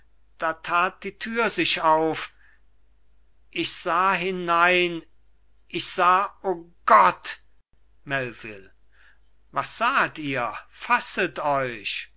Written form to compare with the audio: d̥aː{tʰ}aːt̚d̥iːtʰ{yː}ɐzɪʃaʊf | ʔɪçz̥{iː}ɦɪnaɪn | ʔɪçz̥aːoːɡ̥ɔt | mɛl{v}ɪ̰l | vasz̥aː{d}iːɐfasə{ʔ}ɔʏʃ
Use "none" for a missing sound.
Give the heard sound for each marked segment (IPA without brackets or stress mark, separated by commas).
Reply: tʰ, yː, aː, v, t, t